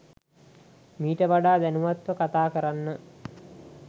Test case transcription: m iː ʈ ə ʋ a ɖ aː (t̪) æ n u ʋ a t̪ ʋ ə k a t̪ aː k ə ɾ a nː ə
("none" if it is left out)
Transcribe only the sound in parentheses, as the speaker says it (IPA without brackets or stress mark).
d̪